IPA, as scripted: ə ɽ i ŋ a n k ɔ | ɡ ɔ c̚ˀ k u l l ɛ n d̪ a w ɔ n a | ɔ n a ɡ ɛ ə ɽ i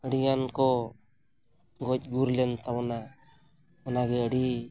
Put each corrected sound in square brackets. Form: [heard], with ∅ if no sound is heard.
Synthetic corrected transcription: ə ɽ i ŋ a n k ɔ | ɡ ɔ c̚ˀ [ɡ] u [ɾ] l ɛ n [t̪] a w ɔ n a | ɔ n a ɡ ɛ ə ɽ i